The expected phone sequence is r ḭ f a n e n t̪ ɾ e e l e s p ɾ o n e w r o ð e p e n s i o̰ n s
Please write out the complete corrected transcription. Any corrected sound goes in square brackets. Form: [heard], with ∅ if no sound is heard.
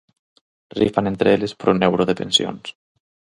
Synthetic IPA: r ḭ f a n e n t̪ ɾ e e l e s p ɾ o n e w [ɾ] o ð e p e n s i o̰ n s

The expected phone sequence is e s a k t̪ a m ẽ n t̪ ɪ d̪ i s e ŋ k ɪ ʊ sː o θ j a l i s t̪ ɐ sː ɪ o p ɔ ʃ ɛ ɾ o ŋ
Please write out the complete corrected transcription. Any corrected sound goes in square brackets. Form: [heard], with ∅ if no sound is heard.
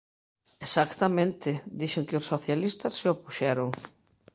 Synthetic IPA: e s a k t̪ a m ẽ n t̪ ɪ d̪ i [ʃ] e ŋ k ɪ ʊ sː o θ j a l i s t̪ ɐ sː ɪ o p [u] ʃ ɛ ɾ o ŋ

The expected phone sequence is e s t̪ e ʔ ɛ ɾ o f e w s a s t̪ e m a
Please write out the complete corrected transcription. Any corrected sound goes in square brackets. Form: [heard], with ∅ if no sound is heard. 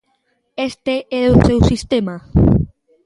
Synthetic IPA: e s t̪ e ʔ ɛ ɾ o [s] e w s [i] s t̪ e m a

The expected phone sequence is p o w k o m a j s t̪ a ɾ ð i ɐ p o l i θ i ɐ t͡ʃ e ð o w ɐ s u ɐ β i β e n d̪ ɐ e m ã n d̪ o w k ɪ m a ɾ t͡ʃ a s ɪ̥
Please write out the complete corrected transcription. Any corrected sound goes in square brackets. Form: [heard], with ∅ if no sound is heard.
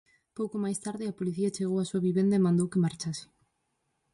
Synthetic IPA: p o w k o m a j s t̪ a ɾ ð [ɪ] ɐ p o l i θ i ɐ t͡ʃ e [ɣ] o w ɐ s u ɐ β i β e n d̪ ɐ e m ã n d̪ o w k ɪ m a ɾ t͡ʃ a s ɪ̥

